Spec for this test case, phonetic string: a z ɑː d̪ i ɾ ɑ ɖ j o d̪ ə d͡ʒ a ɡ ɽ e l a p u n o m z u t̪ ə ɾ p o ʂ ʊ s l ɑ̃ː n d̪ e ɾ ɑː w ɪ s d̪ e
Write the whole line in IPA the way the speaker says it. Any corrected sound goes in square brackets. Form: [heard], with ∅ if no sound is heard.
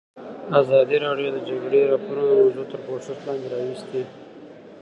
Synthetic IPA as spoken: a z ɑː d̪ i ɾ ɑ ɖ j o d̪ ə d͡ʒ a ɡ ɽ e [ɾ] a p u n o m z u t̪ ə ɾ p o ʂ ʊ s l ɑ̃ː n d̪ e ɾ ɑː w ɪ s [t̪] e

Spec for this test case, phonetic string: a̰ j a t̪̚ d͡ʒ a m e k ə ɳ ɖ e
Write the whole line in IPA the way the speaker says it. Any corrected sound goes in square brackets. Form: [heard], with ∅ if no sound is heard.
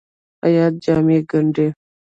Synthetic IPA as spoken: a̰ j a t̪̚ d͡ʒ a m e [ɡ] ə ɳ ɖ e

